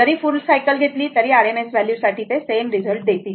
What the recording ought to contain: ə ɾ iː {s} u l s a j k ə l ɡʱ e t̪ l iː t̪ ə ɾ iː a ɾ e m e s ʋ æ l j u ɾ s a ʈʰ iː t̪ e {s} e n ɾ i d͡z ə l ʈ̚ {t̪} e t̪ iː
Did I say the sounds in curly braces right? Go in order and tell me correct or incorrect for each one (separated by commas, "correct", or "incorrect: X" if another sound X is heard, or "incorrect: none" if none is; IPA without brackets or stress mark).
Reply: incorrect: f, correct, incorrect: d̪